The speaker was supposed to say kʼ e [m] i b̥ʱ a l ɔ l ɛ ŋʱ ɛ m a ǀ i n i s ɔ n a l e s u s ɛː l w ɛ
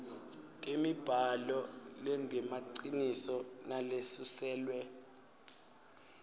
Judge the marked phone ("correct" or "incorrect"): correct